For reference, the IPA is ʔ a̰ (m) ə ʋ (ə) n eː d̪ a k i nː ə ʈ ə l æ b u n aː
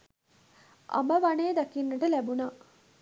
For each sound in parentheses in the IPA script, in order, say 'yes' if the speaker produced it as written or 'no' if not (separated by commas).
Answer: yes, no